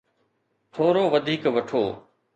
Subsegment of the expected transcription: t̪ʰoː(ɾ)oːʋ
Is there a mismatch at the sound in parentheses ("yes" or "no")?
no